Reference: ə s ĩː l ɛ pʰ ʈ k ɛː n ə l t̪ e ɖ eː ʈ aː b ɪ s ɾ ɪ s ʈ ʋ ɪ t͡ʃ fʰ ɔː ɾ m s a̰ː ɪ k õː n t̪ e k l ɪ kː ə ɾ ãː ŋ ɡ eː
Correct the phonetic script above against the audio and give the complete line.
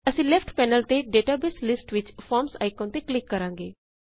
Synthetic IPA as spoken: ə s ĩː l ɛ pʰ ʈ p ɛː n ə l t̪ e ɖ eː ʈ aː b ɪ s l ɪ s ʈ ʋ ɪ t͡ʃ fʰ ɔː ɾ m s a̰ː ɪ k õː n t̪ e k l ɪ kː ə ɾ ãː ŋ ɡ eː

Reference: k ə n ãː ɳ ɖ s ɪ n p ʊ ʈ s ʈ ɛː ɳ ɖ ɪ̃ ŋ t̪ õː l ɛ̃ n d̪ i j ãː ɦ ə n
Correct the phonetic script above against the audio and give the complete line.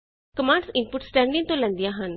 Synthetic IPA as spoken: k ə m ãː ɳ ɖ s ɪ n p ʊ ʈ s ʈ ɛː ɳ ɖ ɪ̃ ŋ t̪ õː l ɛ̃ n d̪ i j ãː ɦ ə n

